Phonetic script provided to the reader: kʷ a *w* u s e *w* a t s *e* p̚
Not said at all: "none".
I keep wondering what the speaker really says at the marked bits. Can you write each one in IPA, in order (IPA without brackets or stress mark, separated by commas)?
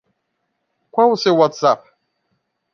w, w, a